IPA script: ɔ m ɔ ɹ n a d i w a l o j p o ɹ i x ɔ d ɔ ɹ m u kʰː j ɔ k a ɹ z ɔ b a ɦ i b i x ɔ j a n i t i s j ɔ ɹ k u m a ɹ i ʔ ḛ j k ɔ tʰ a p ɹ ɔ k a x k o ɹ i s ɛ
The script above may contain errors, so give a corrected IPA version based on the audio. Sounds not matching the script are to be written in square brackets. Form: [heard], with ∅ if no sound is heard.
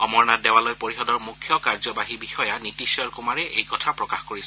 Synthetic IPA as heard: ɔ m ɔ ɹ n a d [ɛ] w a l o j p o ɹ i x ɔ d ɔ ɹ m u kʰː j ɔ k a ɹ z ɔ b a ɦ i b i x ɔ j a n i t i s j ɔ ɹ k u m a ɹ [ɛ] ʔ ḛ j k ɔ tʰ a p ɹ ɔ k a x k o ɹ i s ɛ